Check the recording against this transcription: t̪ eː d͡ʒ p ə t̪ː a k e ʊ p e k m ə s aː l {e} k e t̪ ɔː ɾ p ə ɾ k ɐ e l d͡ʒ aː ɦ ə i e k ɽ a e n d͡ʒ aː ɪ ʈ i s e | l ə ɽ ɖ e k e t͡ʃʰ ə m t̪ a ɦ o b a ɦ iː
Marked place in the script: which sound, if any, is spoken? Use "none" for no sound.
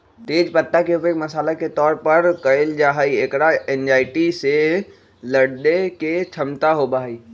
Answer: a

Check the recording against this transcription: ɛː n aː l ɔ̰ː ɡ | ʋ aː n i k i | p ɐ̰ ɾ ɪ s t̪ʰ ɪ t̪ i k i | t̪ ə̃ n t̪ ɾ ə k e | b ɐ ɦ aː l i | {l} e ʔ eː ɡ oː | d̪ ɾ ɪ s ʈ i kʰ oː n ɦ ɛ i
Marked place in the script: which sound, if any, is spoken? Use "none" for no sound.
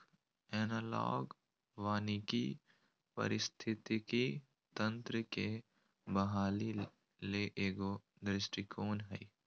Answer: l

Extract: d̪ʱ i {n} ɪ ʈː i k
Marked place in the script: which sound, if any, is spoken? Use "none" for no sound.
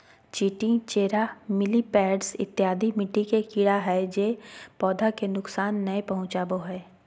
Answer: m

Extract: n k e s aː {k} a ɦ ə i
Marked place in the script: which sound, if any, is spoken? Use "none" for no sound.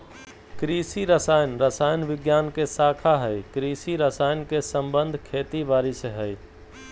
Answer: kʰ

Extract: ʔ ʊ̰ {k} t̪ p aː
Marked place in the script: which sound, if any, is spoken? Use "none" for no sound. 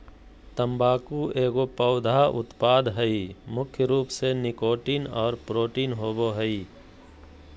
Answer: none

